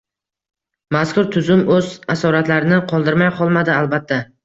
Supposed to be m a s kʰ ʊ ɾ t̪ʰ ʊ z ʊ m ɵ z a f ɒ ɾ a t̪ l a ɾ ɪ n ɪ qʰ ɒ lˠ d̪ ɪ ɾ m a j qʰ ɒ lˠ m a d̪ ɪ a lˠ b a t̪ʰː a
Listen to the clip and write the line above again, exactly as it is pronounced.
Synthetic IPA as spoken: m a s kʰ ʊ ɾ t̪ʰ ʊ z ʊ m ɵ z a s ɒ ɾ a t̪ l a ɾ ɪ n ɪ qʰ ɒ lˠ d̪ ɪ ɾ m a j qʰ ɒ lˠ m a d̪ ɪ a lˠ b a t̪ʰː a